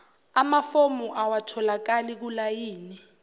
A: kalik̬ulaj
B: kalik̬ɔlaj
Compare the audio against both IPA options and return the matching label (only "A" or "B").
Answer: A